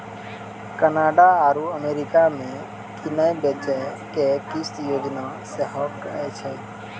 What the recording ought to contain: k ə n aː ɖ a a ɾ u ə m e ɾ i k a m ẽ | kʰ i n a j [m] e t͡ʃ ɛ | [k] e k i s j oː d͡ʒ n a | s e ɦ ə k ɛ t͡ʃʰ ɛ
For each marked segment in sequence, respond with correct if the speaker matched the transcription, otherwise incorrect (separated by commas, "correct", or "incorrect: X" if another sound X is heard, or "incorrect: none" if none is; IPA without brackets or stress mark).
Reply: incorrect: b, correct